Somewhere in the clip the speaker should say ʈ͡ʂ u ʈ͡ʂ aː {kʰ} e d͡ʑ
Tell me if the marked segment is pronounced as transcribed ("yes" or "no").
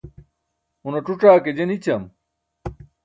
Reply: no